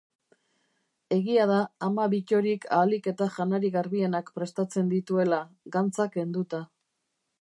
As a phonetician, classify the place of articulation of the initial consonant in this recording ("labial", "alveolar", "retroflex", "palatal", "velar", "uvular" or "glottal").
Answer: velar